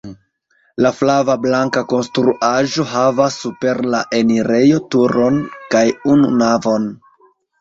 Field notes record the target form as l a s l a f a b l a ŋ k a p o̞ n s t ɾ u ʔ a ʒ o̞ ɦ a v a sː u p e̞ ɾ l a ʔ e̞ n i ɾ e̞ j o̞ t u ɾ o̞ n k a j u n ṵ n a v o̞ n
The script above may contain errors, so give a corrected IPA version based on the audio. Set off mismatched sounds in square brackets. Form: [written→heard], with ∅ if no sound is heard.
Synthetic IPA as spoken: l a [s→f] l a [f→v] a b l a ŋ k a [p→k] o̞ n s t ɾ u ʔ a ʒ o̞ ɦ a v a sː u p e̞ ɾ l a ʔ e̞ n i ɾ e̞ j o̞ t u ɾ o̞ n k a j u n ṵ n a v o̞ n